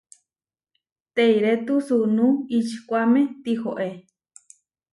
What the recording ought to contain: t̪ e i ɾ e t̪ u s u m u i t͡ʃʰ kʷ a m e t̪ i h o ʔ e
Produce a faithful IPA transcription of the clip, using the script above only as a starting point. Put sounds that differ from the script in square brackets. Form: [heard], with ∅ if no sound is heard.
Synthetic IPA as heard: t̪ e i ɾ e t̪ u s u [n] u i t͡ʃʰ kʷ a m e t̪ i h o ʔ e